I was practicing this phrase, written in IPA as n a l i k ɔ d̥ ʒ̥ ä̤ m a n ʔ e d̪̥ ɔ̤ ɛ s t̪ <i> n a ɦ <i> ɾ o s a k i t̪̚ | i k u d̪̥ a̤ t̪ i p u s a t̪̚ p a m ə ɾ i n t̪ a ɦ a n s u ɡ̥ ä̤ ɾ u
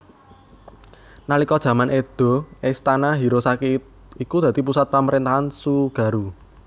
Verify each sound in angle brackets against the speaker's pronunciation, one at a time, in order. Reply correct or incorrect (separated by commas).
incorrect, correct